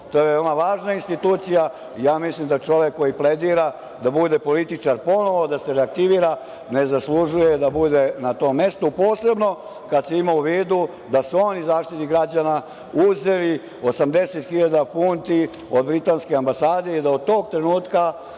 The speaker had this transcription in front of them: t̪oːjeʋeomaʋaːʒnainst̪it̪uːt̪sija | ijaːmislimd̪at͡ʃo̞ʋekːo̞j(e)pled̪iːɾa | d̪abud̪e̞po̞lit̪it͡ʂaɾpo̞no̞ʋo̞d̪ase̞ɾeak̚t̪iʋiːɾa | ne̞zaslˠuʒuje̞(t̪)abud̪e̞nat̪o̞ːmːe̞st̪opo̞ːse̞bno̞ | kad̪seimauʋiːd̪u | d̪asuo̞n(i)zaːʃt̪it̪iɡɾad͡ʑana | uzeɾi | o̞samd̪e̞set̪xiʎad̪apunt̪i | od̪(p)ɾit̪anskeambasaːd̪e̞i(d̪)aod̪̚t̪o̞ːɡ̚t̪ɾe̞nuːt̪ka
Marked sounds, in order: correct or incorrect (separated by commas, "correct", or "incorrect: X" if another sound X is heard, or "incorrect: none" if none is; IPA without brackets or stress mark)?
incorrect: i, incorrect: d̪, correct, incorrect: b, correct